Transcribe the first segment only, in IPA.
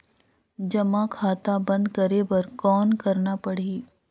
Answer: d͡ʒ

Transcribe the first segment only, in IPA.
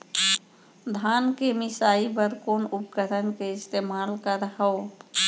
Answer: d̪ʱ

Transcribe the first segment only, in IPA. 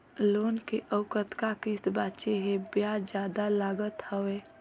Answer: l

